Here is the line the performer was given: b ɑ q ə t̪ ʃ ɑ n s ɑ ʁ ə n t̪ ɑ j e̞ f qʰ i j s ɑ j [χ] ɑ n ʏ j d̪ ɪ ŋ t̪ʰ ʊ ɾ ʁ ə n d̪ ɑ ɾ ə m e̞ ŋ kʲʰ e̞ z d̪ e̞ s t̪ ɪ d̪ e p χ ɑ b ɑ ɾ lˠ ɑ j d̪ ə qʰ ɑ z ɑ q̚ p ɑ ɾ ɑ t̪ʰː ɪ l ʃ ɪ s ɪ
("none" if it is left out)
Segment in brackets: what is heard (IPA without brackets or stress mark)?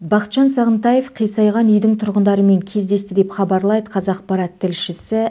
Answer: ʁ